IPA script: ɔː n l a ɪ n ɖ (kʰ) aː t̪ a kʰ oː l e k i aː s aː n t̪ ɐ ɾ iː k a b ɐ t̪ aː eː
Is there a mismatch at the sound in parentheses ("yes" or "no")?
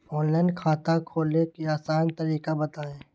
no